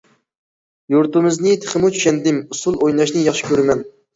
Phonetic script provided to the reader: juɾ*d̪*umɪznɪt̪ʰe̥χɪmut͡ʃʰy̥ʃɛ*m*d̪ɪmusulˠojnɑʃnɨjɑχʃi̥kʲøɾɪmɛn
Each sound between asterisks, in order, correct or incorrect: incorrect, incorrect

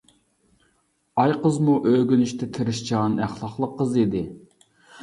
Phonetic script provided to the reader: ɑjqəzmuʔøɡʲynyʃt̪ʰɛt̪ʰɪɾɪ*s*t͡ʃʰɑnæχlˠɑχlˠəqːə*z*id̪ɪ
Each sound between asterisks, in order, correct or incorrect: incorrect, correct

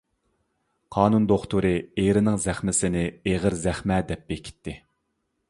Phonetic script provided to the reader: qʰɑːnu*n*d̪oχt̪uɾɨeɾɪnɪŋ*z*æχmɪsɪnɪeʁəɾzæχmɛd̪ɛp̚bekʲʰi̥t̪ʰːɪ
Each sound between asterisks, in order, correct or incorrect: correct, correct

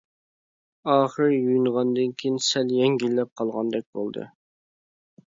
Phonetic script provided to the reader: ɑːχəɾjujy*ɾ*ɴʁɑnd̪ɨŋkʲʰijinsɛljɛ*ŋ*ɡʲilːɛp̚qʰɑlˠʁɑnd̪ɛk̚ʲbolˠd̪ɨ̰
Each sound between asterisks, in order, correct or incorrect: incorrect, correct

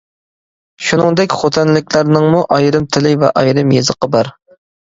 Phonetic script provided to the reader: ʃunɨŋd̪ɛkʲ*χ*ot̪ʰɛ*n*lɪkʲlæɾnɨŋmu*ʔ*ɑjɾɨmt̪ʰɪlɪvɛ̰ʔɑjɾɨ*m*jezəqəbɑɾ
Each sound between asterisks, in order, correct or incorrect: correct, correct, correct, correct

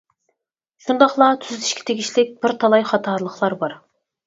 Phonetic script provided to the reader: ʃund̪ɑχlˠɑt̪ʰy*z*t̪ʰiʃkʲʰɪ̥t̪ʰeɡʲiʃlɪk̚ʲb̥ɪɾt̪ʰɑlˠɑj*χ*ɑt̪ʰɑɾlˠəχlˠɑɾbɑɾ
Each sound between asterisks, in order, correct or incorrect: correct, correct

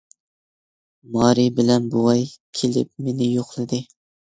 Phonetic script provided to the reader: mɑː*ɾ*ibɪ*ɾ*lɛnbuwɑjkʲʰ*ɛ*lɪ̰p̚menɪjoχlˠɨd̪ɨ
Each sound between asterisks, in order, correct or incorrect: correct, incorrect, incorrect

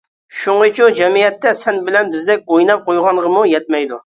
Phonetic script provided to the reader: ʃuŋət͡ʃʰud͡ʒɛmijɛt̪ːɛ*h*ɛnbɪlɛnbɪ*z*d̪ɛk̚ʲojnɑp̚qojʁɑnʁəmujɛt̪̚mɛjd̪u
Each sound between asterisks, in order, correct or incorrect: incorrect, correct

